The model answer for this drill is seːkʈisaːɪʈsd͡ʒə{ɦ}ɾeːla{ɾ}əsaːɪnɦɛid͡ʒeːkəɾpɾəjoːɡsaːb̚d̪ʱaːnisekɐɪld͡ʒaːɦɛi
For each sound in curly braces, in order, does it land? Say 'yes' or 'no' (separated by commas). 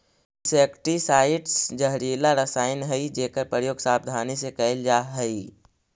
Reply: yes, yes